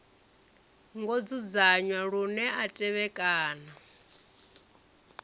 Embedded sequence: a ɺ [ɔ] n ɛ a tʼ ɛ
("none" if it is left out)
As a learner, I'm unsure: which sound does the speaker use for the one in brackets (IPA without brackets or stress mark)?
u